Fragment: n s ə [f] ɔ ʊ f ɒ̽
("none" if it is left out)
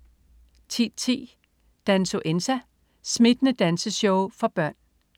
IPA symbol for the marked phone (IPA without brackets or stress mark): ɕ